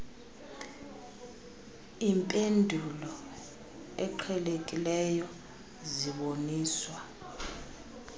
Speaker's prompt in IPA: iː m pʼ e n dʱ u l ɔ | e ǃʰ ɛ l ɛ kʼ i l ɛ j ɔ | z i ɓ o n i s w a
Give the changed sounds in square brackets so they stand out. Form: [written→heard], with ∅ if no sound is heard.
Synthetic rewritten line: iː m pʼ e n dʱ u l ɔ | [e→ɛ] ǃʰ ɛ l [ɛ→e] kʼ i l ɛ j ɔ | z i ɓ o n [i→iː] s w a

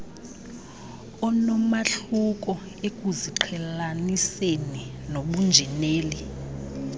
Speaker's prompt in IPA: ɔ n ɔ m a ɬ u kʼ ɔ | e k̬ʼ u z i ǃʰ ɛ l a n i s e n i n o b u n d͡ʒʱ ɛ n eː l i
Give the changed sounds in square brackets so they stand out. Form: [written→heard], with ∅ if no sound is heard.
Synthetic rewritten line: ɔ n ɔ m a ɬ u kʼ ɔ | e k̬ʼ u z i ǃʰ ɛ l a n i s e n i n o [b→ɓ] u n d͡ʒʱ ɛ n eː l i

